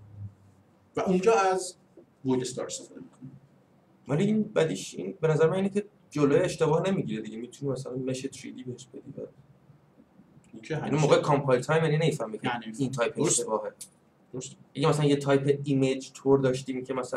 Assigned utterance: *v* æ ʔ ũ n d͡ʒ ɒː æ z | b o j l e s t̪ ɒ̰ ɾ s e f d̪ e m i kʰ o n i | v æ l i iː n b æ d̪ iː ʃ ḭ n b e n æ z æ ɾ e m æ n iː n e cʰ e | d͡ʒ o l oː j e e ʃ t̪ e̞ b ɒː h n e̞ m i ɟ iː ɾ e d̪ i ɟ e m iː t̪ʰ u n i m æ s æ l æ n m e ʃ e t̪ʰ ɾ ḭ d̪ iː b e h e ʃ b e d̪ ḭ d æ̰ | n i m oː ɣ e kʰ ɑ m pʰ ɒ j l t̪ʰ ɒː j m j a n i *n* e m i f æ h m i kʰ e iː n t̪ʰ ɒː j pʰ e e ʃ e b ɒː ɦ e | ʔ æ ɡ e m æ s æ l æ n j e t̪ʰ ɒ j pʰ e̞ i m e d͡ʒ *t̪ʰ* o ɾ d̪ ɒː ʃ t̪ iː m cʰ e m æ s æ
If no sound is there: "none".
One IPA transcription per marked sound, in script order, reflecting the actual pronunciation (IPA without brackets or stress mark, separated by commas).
v, n, t̪ʰ